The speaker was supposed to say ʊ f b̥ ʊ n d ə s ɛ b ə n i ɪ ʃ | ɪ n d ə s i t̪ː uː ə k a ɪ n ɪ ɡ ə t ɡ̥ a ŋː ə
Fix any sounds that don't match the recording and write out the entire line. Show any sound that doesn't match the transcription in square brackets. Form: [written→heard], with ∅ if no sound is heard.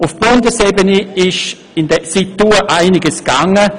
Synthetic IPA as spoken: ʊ f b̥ ʊ n d ə s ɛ b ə n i ɪ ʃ | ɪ n d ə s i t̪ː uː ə [k→ʔ] a ɪ n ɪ ɡ ə [t→s] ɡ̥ a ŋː ə